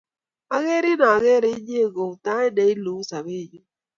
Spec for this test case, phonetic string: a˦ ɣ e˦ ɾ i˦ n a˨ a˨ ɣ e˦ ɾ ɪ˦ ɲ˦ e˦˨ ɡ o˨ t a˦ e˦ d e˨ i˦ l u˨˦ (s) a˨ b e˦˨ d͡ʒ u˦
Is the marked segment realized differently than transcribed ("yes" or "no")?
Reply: no